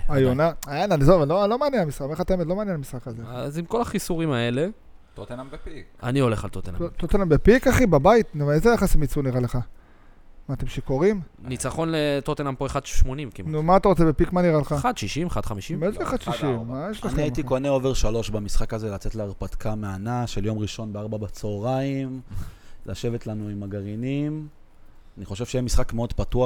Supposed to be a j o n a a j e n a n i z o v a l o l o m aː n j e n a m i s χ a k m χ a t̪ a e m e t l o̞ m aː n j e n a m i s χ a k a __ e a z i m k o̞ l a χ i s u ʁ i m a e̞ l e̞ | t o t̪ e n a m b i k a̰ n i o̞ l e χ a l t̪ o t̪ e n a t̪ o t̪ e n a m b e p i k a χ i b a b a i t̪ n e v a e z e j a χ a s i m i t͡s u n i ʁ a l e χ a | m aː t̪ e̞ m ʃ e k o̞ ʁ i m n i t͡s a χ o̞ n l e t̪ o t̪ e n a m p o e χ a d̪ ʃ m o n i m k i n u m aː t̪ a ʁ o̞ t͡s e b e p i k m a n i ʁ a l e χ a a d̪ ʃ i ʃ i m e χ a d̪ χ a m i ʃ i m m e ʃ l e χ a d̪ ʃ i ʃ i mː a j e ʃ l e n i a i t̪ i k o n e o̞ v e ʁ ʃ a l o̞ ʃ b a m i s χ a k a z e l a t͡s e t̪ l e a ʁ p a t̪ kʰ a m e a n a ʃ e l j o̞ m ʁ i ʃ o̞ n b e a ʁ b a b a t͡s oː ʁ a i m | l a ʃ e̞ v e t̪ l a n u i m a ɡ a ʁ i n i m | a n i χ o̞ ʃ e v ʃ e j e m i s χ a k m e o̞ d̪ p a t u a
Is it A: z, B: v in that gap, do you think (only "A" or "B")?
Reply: A